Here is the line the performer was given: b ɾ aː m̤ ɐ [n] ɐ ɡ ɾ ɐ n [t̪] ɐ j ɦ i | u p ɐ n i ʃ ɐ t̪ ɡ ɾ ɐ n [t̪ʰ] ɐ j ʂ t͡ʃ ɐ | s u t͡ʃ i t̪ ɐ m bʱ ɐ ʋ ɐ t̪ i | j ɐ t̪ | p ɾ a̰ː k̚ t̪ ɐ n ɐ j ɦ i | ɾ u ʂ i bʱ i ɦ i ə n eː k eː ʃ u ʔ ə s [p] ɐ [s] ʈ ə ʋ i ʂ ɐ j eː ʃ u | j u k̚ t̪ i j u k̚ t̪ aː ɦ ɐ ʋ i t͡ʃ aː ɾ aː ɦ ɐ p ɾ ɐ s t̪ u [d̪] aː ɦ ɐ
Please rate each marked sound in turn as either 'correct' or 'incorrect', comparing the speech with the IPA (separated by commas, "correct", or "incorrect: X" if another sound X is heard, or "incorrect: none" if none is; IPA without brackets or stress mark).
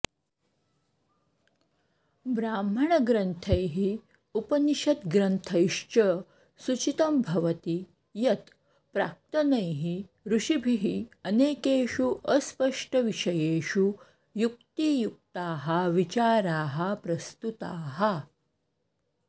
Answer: incorrect: ɳ, incorrect: t̪ʰ, correct, correct, incorrect: ʂ, incorrect: t̪